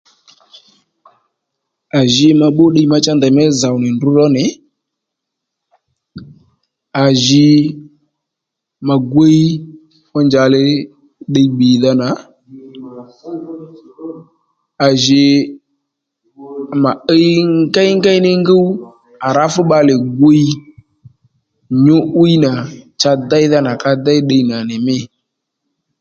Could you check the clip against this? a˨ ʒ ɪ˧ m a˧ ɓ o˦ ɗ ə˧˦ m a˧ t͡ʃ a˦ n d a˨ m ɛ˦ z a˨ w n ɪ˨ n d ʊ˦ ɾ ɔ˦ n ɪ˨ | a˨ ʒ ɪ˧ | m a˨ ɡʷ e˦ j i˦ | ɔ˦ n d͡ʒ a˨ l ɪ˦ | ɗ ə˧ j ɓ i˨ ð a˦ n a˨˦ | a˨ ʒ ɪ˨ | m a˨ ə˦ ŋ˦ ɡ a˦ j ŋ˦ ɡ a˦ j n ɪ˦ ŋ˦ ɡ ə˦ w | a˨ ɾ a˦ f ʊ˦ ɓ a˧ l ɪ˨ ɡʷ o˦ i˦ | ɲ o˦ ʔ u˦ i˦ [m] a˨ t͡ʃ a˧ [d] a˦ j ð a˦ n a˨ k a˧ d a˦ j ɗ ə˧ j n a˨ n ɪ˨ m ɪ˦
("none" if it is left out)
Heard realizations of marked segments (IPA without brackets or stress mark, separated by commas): n, d